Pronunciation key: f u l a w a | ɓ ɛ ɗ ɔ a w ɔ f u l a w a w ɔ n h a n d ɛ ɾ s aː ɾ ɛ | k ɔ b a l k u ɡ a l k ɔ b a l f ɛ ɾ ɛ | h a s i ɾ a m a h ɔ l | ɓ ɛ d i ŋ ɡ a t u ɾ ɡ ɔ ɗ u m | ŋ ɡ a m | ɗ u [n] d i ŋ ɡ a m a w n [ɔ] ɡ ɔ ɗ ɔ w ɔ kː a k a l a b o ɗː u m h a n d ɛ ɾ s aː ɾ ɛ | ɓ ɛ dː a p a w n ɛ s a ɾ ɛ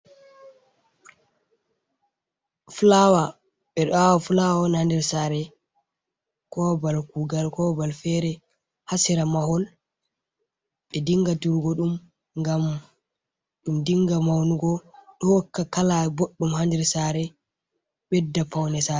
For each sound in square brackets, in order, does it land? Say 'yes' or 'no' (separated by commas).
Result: no, no